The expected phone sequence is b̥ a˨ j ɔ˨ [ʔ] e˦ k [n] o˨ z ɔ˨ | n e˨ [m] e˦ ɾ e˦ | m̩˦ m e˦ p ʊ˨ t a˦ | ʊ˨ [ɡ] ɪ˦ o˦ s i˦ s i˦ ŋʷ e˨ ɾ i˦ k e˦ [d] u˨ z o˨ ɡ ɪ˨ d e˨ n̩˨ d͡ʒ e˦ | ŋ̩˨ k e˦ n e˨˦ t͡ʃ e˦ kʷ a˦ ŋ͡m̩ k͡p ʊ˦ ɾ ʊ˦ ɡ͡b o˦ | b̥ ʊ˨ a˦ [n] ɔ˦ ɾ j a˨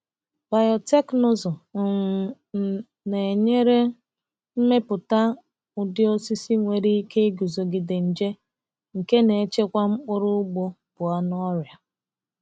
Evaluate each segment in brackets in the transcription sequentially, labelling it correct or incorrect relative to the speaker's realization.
incorrect: t, correct, incorrect: ɲ, incorrect: d, incorrect: ɡ, correct

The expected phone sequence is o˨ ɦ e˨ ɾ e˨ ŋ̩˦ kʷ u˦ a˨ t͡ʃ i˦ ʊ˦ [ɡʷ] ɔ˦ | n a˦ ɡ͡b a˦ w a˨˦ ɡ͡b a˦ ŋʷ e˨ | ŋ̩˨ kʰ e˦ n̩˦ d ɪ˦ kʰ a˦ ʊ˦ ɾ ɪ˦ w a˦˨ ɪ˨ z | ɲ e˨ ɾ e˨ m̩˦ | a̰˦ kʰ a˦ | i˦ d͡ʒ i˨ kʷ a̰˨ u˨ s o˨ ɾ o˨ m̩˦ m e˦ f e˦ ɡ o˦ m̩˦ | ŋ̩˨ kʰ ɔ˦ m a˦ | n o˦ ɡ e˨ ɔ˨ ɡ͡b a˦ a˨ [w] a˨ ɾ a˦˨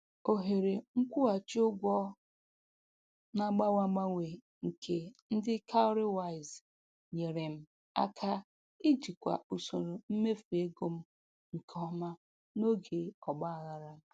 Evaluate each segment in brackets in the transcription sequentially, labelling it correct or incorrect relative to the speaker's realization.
correct, incorrect: ɣ

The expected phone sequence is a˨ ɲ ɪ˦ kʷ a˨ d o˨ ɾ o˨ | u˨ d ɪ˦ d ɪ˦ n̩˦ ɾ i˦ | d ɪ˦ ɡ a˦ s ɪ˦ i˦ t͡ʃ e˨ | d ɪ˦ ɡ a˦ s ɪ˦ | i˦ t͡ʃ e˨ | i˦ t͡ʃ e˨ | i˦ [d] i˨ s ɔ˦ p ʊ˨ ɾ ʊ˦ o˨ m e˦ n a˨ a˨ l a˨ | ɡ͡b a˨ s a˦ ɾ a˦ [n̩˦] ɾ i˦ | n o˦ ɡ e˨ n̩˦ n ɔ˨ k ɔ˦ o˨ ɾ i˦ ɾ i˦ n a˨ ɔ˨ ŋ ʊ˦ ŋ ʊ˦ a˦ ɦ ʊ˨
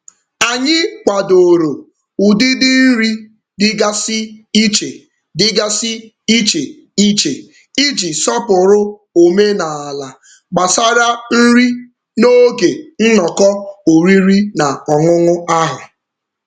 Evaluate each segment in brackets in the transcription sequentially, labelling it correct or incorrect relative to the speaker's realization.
incorrect: d͡ʒ, correct

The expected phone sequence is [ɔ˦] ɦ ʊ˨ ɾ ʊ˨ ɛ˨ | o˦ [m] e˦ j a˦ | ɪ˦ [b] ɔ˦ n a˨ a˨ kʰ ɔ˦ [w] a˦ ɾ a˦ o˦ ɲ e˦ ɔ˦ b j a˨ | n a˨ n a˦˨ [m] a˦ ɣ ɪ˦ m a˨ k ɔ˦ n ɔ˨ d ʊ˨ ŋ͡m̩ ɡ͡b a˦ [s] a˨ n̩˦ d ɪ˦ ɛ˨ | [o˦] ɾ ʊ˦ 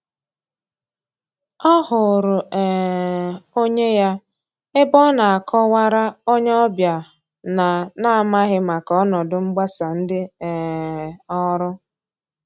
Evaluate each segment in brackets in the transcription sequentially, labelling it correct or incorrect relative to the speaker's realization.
correct, incorrect: ɲ, correct, correct, correct, correct, incorrect: ɔ˦

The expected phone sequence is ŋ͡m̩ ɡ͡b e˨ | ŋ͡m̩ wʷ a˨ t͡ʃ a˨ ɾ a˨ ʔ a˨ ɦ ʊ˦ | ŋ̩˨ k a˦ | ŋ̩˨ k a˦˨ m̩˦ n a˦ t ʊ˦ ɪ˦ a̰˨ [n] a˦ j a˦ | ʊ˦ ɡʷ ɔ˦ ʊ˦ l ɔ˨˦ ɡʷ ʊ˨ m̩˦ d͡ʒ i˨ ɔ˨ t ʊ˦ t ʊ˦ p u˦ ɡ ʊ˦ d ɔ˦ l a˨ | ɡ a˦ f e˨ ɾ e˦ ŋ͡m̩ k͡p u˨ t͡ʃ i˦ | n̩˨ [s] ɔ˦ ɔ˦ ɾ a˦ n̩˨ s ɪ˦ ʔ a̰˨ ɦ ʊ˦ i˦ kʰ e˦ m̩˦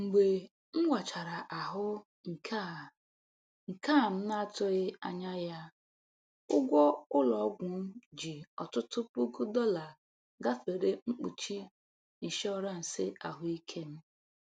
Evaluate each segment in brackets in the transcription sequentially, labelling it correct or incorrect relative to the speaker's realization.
incorrect: ɲ, incorrect: ʃ

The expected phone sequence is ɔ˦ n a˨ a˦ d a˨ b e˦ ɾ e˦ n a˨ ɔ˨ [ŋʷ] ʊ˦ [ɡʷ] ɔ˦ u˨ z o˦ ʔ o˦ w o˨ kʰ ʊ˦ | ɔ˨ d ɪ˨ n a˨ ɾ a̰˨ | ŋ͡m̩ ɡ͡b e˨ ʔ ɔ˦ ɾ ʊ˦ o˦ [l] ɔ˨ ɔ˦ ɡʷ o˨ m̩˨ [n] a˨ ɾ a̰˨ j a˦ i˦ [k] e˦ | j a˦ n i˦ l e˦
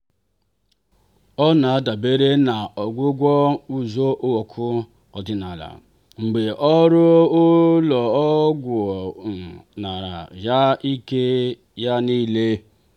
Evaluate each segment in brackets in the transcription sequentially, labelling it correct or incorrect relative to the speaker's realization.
incorrect: ɡʷ, correct, correct, correct, correct

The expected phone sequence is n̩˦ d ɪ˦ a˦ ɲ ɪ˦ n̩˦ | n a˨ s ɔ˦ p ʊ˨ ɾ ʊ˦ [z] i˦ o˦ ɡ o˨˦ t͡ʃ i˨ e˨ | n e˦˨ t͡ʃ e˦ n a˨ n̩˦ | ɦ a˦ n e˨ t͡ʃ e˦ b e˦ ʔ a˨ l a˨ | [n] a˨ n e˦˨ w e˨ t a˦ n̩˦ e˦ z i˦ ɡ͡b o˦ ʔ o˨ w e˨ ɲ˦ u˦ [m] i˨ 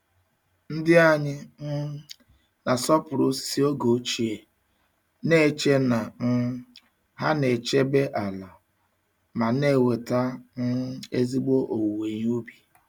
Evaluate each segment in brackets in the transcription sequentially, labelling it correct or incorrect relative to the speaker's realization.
incorrect: s, incorrect: m, incorrect: b

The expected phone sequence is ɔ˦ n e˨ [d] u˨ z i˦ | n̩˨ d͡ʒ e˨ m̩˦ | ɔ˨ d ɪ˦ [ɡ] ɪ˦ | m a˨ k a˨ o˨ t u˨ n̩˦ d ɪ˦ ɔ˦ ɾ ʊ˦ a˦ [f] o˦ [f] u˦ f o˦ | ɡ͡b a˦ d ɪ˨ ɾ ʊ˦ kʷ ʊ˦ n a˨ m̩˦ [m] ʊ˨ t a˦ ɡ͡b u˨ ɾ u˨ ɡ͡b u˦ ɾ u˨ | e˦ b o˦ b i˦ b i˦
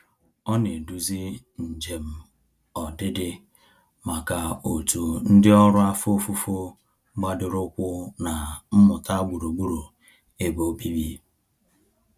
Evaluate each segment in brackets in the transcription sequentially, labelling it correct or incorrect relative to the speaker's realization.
correct, incorrect: d, correct, correct, correct

